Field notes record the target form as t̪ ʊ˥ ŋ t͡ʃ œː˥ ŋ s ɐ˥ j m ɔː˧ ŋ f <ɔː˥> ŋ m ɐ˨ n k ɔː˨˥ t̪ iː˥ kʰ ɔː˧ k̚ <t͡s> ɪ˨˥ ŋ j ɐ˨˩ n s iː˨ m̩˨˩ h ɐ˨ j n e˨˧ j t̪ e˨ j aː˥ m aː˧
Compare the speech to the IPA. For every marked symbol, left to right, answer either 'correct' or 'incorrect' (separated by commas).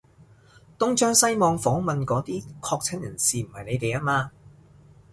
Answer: incorrect, incorrect